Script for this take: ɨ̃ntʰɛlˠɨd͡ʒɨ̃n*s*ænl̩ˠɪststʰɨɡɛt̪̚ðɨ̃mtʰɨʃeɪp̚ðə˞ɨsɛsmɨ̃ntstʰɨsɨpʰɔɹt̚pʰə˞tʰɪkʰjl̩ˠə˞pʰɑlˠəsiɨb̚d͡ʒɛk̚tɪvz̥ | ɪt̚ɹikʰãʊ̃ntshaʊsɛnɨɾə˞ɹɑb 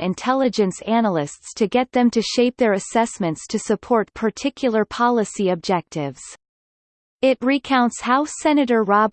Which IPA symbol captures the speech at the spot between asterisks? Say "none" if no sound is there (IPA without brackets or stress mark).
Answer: s